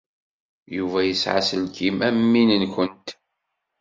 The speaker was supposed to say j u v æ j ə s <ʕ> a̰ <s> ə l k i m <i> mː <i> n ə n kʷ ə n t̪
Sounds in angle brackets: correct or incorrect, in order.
correct, correct, incorrect, correct

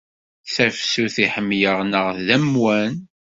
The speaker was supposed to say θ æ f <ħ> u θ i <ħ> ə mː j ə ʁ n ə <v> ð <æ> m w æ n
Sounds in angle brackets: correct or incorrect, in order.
incorrect, correct, incorrect, correct

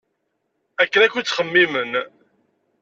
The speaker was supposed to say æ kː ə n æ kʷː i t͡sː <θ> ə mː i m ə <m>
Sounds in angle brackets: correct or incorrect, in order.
incorrect, incorrect

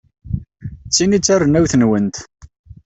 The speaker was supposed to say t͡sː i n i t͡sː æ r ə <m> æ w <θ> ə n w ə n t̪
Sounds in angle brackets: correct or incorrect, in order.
incorrect, correct

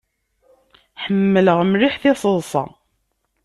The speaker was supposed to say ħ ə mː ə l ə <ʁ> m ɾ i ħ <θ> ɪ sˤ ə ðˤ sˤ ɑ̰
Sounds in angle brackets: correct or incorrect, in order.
correct, correct

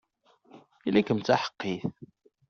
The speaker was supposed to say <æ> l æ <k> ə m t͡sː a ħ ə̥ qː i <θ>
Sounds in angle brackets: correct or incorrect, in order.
incorrect, correct, correct

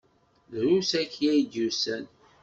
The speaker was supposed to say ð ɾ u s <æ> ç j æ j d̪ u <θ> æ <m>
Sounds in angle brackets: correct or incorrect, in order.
correct, incorrect, incorrect

